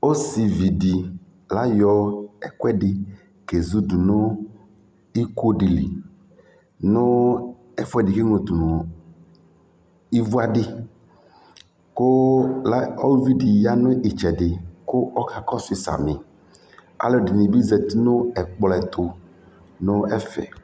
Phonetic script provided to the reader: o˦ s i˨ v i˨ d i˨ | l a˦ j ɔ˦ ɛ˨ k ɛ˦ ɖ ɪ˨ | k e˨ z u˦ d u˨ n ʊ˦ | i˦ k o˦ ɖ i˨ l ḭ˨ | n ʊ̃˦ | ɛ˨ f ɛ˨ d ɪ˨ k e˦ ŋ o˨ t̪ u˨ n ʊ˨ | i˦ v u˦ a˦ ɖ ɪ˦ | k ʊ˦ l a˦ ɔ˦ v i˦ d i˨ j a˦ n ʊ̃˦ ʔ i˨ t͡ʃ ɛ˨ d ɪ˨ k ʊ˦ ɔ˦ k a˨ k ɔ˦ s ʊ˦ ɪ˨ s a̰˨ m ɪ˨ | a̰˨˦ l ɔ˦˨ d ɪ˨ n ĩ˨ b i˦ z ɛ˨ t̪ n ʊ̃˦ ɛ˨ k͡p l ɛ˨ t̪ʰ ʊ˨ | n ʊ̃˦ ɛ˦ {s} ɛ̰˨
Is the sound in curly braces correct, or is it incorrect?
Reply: incorrect